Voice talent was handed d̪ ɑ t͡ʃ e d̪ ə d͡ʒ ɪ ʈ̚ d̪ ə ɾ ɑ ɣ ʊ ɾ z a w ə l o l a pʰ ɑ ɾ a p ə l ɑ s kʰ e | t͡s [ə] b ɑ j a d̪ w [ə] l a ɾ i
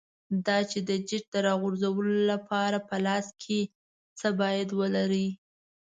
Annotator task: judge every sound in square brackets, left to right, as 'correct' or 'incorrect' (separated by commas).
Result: correct, correct